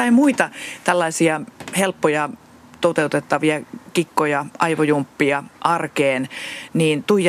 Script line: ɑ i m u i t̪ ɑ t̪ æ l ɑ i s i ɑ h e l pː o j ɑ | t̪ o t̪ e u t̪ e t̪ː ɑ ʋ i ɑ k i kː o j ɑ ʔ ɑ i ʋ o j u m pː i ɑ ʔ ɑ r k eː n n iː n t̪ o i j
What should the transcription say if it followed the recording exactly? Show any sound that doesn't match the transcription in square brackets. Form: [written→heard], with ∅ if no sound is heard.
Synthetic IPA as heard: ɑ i m u i t̪ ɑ t̪ æ [l→lː] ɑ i s i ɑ h e l pː o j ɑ | t̪ o t̪ e u t̪ e t̪ː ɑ ʋ i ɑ k i kː o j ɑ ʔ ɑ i ʋ o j u m pː i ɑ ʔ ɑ r k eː n n iː n t̪ [o→u] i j